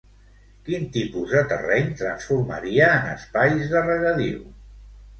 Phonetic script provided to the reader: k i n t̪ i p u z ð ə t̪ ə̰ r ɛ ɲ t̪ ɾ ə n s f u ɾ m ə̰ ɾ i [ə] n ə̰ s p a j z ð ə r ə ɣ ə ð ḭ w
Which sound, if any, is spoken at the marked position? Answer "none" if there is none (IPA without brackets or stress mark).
əː